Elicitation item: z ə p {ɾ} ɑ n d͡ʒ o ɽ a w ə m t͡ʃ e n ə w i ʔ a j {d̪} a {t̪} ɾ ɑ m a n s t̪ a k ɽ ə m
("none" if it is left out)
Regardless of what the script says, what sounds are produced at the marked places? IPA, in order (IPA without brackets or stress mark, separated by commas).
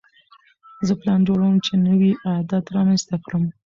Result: l, d̪, t̪